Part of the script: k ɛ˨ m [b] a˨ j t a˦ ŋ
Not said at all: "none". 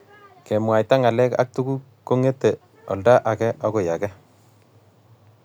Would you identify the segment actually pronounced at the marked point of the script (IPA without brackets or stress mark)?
w